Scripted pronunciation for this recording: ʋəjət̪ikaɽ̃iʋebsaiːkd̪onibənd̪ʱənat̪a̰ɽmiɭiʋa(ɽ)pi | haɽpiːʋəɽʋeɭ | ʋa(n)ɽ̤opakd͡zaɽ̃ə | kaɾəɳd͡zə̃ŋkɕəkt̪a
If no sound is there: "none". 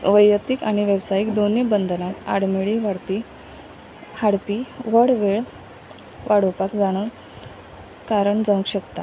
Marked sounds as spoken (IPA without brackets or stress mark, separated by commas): ɽ, none